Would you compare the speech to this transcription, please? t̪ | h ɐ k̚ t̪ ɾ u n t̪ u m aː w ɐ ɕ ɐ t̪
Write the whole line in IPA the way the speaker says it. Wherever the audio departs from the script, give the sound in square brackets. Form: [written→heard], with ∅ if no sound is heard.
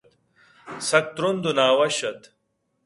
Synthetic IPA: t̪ | [h→s] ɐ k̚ t̪ ɾ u n [t̪→d̪] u [m→n] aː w ɐ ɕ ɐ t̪